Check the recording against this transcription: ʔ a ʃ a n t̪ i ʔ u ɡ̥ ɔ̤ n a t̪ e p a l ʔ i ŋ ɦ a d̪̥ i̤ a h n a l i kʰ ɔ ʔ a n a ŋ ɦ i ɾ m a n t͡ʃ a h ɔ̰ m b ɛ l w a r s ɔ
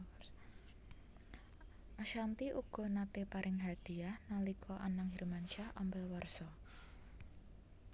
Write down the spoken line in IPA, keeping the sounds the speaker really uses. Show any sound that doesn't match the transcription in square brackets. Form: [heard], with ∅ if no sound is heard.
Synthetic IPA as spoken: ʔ a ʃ a n t̪ i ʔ u ɡ̥ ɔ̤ n a t̪ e p a [ɾ] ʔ [ɪ] ŋ ɦ a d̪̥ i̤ a h n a l i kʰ ɔ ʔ a n a ŋ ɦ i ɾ m a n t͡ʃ a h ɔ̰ m b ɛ l w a r s ɔ

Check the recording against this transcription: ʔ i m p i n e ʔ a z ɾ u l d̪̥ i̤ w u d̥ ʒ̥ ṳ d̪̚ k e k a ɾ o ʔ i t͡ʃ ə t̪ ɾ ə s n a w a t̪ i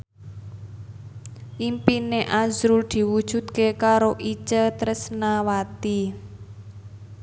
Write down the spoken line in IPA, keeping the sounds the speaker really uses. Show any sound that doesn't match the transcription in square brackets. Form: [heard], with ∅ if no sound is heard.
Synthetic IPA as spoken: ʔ i m p i n e ʔ a z ɾ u l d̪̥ i̤ w u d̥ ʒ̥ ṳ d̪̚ k e k a ɾ o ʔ i t͡ʃ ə t̪ ɾ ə s n a w a t̪ i

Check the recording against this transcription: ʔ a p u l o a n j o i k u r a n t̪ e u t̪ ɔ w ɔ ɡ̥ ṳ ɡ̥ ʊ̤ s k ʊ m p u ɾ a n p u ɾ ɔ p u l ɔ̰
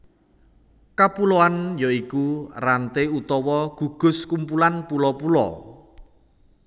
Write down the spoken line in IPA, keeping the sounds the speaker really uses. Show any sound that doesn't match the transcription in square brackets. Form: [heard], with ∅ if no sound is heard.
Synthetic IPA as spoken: [k] a p u l o a n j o i k u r a n t̪ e u t̪ ɔ w ɔ ɡ̥ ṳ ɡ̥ ʊ̤ s k [u] m p u [l] a n p u [l] ɔ p u l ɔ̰

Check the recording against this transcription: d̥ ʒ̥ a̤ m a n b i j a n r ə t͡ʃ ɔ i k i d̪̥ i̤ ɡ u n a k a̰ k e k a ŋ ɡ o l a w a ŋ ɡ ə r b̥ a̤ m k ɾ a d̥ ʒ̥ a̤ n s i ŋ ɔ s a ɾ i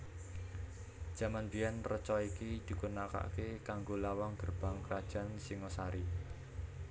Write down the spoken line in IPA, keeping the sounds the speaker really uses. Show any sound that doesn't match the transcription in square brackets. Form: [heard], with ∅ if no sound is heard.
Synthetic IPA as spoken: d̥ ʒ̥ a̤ m a n b i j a n r ə t͡ʃ ɔ i k i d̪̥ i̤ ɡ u n a k a̰ k e k a ŋ ɡ o l a w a ŋ ɡ ə r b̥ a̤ [ŋ] k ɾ a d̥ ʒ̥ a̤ n s i ŋ ɔ s a ɾ i

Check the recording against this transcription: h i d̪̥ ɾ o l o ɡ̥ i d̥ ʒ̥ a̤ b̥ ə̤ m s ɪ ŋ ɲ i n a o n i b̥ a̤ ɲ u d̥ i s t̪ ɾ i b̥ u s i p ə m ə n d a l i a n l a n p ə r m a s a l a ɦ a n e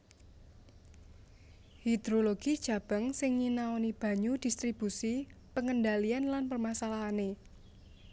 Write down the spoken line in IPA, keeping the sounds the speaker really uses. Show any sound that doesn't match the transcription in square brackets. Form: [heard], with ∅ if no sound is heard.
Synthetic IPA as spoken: h i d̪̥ ɾ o l o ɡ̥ i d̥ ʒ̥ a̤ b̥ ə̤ [ŋ] s ɪ ŋ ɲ i n a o n i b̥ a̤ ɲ u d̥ i s t̪ ɾ i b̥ u s i p ə [ŋ] ə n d a l i a n l a n p ə r m a s a l a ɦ a n e

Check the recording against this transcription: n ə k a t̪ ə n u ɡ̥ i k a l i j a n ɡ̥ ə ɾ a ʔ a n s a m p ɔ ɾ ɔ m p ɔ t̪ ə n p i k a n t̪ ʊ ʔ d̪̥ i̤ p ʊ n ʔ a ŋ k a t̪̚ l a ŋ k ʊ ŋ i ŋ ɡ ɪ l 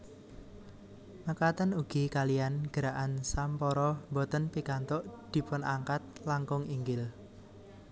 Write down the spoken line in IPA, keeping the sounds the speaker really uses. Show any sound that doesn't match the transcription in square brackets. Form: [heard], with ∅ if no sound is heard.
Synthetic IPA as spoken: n ə k a t̪ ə n u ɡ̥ i k a l i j a n ɡ̥ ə ɾ a ʔ a n s a m p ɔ ɾ ɔ m [b] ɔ t̪ ə n p i k a n t̪ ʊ ʔ d̪̥ i̤ p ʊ n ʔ a ŋ k a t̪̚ l a ŋ k ʊ ŋ i ŋ ɡ ɪ l

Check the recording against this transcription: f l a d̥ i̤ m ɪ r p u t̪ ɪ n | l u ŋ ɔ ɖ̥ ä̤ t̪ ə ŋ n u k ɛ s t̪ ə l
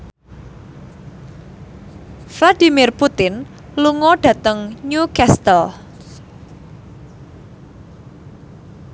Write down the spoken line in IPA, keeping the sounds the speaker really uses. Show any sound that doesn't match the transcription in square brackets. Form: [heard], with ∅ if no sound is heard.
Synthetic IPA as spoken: f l a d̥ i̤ m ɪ r p u t̪ ɪ n | l u ŋ ɔ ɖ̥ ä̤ t̪ ə ŋ [ɲ] u k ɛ s t̪ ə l

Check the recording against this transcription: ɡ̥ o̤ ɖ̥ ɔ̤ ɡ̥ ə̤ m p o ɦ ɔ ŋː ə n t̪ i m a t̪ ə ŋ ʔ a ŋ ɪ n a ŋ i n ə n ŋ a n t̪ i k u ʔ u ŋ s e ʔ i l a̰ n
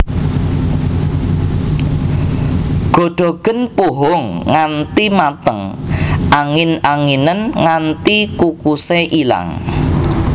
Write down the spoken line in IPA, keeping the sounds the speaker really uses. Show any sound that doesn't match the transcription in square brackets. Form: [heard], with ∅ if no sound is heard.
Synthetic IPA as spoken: ɡ̥ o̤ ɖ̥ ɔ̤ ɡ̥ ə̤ [n] p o ɦ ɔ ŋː [a] n t̪ i m a t̪ ə ŋ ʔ a ŋ ɪ n a ŋ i n ə n ŋ a n t̪ i k u [k] u [∅] s e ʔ i l a̰ [ŋ]

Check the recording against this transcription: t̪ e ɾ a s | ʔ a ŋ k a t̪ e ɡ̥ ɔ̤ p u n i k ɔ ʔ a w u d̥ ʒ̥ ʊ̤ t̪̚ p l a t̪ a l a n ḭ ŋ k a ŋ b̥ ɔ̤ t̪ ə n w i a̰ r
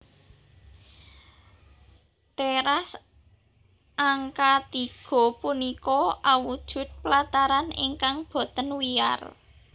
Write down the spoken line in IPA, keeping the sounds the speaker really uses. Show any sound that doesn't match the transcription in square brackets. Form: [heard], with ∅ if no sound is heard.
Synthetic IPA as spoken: t̪ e ɾ a s | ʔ a ŋ k a t̪ [i] ɡ̥ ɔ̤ p u n i k ɔ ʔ a w u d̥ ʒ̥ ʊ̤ t̪̚ p l a t̪ a [ɾ] a n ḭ ŋ k a ŋ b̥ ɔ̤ t̪ ə n w i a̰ r

